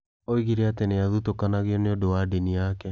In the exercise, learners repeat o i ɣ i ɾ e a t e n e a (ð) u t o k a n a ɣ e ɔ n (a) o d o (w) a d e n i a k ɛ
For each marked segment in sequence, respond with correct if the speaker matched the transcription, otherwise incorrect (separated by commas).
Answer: correct, incorrect, correct